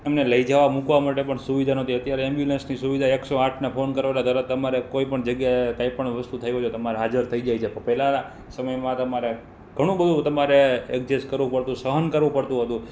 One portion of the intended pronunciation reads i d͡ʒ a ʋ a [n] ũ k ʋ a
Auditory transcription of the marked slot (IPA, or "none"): m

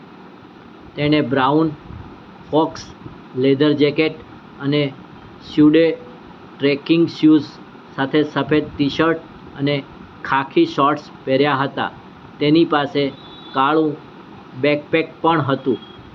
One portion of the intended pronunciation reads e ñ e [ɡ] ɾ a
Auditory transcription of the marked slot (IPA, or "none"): b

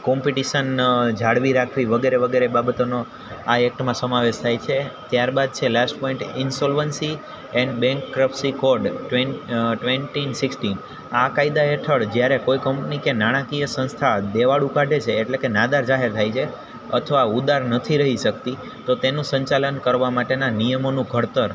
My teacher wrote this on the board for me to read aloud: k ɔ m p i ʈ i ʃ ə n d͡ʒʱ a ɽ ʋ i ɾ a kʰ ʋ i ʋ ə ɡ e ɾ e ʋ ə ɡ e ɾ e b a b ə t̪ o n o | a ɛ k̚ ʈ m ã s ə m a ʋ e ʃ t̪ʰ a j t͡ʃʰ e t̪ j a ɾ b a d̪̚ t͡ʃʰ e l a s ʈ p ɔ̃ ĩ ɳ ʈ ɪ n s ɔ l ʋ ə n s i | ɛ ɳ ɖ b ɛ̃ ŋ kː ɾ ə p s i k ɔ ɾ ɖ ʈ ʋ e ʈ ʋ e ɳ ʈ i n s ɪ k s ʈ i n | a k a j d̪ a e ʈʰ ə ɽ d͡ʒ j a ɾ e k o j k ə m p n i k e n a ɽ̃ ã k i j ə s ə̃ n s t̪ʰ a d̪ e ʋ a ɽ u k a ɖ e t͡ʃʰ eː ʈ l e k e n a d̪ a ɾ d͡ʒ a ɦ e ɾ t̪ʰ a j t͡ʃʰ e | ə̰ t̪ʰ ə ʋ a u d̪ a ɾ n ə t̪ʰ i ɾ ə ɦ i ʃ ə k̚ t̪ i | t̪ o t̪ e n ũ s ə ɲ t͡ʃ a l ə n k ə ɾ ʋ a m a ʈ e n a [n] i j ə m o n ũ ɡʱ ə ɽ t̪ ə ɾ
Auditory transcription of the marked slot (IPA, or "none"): n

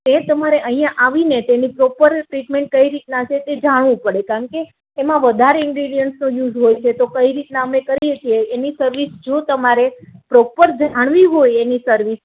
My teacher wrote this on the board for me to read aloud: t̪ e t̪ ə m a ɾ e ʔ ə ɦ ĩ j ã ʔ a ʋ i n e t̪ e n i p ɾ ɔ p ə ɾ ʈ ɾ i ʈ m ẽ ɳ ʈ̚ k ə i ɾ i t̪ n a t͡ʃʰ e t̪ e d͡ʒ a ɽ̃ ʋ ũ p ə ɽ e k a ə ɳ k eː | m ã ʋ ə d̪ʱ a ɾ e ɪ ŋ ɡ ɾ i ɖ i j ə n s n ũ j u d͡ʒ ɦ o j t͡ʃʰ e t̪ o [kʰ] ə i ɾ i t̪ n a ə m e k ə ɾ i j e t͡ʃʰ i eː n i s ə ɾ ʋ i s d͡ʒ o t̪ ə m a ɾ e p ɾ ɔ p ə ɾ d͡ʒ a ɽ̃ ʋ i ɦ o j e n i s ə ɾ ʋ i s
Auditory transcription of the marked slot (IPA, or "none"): k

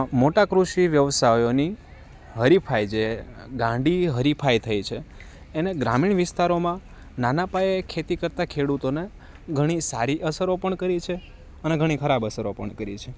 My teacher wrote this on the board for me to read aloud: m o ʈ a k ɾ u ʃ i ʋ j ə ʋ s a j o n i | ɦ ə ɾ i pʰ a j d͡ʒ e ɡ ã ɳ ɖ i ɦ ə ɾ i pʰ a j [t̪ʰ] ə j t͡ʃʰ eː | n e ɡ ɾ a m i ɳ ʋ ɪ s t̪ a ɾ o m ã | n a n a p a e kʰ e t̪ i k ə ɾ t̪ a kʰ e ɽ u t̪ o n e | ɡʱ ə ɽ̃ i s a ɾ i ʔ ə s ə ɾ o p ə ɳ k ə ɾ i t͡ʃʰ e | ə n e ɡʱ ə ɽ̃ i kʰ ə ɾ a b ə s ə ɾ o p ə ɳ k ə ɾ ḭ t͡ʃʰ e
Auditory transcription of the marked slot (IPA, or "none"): t̪ʰ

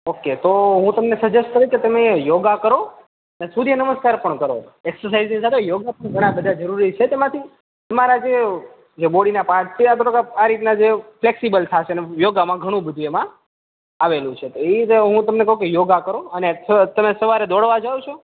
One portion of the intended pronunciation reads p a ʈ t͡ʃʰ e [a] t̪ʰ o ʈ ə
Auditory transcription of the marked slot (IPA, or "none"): a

